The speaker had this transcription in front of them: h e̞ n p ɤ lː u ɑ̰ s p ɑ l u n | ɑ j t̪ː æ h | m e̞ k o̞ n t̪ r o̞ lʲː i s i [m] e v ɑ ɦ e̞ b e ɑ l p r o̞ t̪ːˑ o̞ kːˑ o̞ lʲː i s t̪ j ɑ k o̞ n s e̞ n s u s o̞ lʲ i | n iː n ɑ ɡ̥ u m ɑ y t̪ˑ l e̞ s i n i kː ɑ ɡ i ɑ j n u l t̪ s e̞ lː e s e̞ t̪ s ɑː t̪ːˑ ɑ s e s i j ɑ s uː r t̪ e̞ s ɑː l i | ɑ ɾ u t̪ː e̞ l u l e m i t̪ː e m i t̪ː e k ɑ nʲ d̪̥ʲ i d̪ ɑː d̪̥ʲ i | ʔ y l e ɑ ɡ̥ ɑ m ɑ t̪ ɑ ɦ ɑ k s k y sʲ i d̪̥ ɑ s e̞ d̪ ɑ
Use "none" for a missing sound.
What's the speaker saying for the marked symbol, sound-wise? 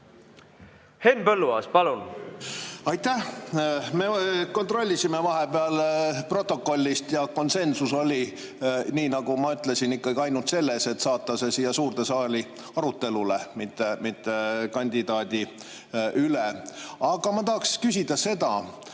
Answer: m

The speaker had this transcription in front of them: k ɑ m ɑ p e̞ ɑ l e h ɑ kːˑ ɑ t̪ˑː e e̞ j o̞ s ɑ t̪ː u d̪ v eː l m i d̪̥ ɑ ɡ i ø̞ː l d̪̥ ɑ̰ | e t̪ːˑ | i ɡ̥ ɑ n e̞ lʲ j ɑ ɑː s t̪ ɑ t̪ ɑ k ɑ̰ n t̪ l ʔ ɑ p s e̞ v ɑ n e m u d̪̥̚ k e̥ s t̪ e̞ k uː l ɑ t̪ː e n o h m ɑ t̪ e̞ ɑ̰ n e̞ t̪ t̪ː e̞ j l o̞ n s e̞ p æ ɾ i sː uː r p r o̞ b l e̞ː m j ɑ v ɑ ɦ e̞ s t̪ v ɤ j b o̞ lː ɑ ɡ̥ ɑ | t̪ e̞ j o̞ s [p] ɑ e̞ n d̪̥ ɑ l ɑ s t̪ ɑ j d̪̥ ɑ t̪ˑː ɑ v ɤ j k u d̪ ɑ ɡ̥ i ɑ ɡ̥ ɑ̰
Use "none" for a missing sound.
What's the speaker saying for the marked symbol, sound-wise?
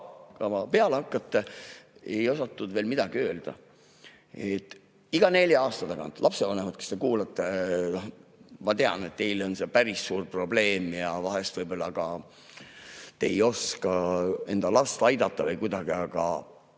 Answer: k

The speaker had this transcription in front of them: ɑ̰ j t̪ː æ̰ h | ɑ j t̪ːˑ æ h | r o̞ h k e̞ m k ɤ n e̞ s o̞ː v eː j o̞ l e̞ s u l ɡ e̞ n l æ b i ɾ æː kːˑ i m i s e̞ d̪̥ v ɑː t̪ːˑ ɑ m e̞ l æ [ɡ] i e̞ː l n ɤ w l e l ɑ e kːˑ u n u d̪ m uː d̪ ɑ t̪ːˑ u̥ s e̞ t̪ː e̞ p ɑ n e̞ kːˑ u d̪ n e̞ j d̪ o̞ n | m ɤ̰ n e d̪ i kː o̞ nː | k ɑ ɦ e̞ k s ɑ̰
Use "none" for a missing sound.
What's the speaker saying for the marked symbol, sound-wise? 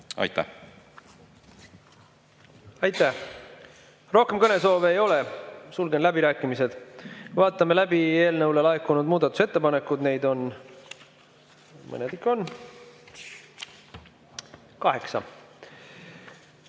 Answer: b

